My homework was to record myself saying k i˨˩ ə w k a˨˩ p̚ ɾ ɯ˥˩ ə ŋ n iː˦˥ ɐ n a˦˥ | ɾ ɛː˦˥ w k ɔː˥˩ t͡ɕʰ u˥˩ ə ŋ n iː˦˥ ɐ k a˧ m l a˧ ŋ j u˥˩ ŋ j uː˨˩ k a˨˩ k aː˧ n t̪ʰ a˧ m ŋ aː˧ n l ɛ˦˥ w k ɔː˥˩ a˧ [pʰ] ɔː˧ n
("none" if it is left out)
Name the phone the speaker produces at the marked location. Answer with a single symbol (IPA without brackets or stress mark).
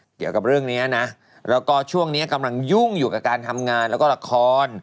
kʰ